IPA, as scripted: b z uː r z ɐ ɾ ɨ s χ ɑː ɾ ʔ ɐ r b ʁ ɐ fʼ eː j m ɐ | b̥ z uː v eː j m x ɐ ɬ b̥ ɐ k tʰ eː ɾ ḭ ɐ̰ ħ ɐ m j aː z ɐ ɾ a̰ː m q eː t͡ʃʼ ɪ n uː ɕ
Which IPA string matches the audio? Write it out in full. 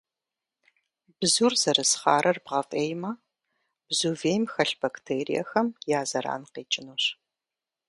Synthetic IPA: b z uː r z ɐ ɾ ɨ s χ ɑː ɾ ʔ ɐ r b ʁ ɐ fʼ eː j m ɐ | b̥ z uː v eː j m x ɐ ɬ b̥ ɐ k tʰ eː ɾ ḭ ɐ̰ x ɐ m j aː z ɐ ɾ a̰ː n q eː t͡ʃʼ ɪ n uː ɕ